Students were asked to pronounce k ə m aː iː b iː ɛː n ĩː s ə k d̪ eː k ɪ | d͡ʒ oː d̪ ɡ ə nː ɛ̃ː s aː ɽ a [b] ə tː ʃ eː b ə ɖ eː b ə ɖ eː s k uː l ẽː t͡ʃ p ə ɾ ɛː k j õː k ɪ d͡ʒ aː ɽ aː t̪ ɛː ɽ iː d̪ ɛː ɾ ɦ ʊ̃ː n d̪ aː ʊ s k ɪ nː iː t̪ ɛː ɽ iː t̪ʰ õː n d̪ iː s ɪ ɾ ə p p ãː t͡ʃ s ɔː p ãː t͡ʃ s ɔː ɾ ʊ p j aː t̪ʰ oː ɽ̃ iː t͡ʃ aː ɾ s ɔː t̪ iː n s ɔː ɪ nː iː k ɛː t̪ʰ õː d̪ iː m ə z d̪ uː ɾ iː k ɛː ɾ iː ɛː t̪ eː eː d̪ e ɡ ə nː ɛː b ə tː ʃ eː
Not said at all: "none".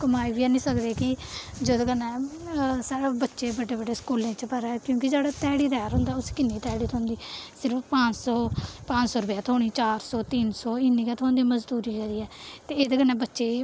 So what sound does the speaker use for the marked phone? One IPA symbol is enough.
b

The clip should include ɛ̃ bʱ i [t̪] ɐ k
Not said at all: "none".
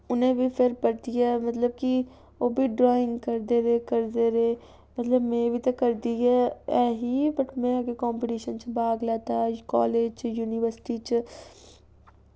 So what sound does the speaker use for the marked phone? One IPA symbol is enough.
t̪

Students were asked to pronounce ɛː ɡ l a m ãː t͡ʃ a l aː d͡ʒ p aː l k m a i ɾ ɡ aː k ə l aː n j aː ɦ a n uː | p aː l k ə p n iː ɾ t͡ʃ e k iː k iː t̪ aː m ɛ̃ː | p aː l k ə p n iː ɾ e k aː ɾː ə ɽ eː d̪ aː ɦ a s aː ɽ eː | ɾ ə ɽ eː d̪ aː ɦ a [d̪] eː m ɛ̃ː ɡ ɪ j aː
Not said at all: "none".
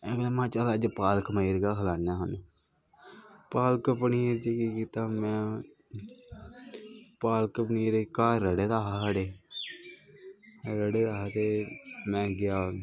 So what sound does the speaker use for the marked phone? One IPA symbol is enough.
t̪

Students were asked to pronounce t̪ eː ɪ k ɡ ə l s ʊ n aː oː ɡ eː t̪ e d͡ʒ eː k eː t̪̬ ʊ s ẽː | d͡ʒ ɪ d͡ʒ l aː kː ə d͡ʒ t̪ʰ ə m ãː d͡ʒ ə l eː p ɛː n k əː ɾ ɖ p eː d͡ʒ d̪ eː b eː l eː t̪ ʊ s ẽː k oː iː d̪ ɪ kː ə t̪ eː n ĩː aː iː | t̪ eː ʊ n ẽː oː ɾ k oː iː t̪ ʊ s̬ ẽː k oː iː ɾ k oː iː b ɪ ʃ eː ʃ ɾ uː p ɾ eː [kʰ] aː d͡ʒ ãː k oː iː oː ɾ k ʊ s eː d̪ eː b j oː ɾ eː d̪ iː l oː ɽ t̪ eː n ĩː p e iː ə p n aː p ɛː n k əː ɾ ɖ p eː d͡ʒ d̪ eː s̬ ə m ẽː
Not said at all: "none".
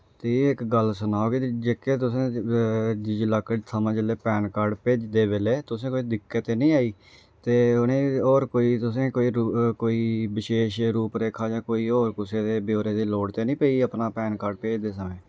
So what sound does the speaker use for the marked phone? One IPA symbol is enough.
kʰ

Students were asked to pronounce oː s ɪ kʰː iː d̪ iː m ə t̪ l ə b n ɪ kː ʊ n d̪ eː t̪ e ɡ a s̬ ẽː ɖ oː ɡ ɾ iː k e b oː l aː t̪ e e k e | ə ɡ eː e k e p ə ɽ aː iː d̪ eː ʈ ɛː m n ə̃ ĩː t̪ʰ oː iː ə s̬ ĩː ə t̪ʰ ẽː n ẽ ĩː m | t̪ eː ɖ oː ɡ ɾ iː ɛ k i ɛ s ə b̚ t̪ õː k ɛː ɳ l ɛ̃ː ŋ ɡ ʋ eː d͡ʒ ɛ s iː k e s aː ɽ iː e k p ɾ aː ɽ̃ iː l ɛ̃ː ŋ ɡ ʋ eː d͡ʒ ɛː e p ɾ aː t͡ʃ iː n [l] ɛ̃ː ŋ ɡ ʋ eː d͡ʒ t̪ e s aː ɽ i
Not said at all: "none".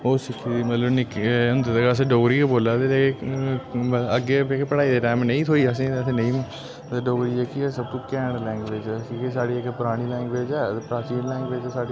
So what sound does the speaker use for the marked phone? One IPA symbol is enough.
l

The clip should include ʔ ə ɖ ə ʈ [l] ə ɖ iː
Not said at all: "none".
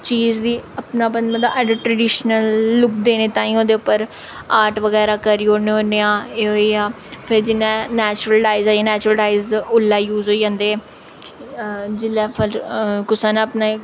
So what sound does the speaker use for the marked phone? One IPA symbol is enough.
ɾ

